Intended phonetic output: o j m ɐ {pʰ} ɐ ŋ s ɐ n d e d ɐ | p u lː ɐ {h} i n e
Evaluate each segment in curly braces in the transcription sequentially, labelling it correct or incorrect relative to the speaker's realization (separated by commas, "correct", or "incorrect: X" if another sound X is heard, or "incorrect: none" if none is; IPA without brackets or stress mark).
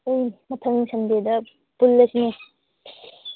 incorrect: tʰ, incorrect: s